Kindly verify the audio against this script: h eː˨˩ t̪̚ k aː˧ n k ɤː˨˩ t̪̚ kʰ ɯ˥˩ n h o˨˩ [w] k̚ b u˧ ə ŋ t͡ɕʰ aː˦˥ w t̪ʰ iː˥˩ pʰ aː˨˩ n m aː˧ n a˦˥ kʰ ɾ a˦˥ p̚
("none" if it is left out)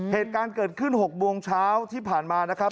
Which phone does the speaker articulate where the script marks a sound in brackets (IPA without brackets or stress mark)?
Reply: none